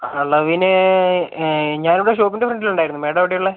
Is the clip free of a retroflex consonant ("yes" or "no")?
no